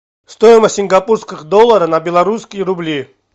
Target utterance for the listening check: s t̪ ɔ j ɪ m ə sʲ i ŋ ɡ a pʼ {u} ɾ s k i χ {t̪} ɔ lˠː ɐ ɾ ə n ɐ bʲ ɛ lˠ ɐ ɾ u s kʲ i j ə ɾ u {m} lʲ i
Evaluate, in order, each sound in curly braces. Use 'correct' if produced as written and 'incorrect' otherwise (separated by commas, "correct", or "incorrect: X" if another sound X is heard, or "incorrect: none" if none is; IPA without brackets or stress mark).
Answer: correct, incorrect: d̪, incorrect: b